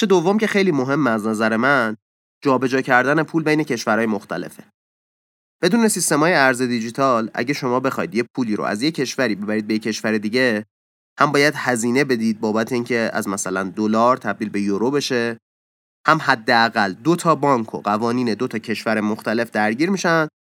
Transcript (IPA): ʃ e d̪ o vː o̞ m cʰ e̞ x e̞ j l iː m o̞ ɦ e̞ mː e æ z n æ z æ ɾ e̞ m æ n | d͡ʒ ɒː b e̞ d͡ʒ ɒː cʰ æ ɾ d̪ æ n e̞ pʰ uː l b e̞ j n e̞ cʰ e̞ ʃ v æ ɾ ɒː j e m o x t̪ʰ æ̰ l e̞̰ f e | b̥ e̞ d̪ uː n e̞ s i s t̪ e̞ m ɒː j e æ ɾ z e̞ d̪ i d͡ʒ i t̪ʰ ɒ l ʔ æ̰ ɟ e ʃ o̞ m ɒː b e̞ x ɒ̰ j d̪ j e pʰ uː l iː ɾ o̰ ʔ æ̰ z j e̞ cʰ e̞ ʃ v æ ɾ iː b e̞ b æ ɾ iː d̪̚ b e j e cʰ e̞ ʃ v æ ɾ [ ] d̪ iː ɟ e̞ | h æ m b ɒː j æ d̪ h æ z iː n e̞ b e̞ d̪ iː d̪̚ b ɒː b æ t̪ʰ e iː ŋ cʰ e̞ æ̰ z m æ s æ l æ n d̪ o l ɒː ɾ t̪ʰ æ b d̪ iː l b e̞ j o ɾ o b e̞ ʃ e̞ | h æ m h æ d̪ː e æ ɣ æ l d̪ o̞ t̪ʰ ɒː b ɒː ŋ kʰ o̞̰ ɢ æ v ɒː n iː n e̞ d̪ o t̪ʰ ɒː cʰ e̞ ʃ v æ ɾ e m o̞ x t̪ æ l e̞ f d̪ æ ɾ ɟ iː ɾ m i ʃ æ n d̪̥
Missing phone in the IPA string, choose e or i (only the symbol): e